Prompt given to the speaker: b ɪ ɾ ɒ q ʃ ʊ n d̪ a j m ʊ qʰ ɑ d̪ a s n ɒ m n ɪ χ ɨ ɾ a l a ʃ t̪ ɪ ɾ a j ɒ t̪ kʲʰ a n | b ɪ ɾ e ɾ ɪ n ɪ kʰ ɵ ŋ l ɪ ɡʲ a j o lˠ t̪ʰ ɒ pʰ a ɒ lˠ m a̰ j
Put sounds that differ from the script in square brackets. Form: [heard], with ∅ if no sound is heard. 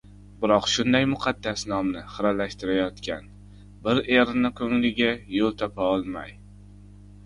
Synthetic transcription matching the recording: b ɪ ɾ ɒ q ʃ ʊ n d̪ a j m ʊ qʰ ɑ [d̪ː] a s n ɒ m n ɪ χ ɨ ɾ a l a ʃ t̪ ɪ ɾ a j ɒ t̪ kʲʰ a n | b ɪ ɾ e ɾ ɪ n ɪ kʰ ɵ ŋ l ɪ ɡʲ a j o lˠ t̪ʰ ɒ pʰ a ɒ lˠ m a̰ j